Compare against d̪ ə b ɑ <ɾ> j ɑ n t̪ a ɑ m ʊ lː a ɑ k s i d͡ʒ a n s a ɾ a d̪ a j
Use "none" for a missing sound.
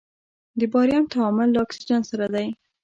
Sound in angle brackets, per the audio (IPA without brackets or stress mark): ɾ